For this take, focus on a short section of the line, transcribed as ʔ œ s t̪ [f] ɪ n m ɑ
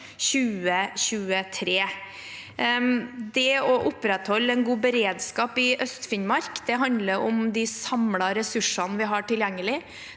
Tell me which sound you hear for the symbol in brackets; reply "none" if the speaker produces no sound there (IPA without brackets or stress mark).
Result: f